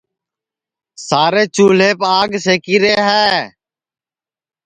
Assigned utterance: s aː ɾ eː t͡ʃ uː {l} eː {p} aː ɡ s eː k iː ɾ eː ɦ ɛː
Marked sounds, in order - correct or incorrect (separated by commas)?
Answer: correct, correct